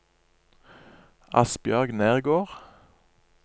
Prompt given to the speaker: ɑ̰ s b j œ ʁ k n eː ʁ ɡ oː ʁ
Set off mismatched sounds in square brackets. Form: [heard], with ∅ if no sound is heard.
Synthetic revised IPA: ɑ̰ s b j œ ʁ [ɡ] n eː ʁ ɡ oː ʁ